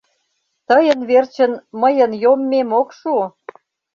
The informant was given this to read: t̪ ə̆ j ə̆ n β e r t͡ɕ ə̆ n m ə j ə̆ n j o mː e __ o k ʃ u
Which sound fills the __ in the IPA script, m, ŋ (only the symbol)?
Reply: m